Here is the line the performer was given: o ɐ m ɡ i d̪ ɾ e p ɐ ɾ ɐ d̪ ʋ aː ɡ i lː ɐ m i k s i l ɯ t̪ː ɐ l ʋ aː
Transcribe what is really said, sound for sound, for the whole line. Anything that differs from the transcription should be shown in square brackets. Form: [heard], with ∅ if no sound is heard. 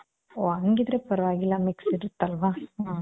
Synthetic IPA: o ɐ [ŋ] ɡ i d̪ ɾ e p ɐ ɾ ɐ [∅] ʋ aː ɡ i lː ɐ m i k s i [ɾ] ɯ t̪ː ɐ l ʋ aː